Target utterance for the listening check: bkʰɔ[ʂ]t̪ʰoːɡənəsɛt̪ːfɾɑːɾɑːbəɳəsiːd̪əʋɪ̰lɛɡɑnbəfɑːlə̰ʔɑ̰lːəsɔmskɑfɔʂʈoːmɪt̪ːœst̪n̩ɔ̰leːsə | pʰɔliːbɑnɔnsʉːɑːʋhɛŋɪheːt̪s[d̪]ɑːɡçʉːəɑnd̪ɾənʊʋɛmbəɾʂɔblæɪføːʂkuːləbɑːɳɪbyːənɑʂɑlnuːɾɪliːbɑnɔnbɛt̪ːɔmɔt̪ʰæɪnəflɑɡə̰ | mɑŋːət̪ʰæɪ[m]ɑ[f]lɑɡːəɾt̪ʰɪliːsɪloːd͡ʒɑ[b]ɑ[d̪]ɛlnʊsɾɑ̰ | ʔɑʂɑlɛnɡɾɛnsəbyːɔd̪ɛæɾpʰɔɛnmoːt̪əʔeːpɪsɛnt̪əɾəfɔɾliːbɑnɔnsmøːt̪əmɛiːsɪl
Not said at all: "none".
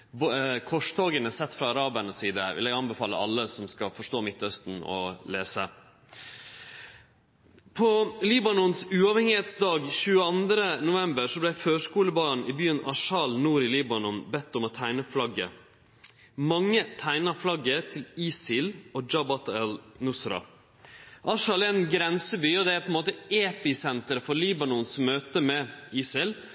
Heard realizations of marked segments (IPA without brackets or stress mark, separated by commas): ʂ, d̪, n, f, b, t̪